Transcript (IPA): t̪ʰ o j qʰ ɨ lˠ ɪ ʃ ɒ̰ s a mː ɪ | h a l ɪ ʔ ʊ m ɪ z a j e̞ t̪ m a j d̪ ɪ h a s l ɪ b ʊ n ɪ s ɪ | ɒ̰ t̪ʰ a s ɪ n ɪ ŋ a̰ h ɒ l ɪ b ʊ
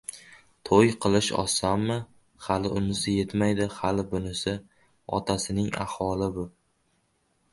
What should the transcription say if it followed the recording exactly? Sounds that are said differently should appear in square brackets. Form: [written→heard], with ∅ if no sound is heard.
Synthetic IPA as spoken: t̪ʰ o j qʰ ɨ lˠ ɪ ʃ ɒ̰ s a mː ɪ | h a l ɪ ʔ ʊ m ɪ z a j e̞ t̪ m a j d̪ ɪ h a [s→∅] l ɪ b ʊ n ɪ s ɪ | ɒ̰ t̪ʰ a s ɪ n ɪ ŋ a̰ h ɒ l ɪ b ʊ